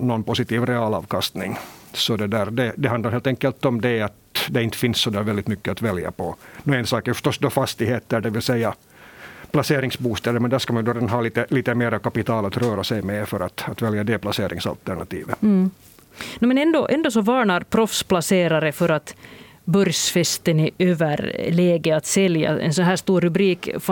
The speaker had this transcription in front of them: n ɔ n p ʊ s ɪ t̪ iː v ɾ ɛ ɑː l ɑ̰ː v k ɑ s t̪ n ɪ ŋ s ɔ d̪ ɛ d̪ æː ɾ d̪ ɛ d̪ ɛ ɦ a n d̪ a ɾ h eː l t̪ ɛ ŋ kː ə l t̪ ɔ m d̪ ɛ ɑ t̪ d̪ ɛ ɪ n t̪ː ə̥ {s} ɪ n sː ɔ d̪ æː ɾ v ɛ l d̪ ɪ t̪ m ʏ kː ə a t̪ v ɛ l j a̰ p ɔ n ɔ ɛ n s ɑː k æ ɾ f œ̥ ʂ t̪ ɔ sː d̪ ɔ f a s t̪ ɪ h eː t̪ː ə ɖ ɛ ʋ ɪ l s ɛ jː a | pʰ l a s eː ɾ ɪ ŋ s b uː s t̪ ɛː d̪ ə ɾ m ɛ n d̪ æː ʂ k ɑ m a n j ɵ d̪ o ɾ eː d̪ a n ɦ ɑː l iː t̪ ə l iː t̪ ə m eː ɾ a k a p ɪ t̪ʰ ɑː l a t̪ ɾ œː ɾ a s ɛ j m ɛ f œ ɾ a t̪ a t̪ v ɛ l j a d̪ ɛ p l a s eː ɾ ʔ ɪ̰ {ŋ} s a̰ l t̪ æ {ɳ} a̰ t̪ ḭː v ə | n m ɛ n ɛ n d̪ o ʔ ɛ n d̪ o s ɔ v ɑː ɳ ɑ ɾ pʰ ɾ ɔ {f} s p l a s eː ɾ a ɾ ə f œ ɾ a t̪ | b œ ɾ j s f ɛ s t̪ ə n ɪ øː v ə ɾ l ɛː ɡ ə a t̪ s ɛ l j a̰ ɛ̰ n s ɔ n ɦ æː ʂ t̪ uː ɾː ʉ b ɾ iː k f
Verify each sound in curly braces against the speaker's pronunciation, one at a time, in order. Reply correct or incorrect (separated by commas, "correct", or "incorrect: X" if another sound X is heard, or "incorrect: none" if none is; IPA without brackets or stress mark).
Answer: incorrect: f, correct, correct, correct